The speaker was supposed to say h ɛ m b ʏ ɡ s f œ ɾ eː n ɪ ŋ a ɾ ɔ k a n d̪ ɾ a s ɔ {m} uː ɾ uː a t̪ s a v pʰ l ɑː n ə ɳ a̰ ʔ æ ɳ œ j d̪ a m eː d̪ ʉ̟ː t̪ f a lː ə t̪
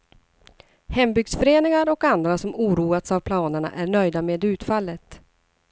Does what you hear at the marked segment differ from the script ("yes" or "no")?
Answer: no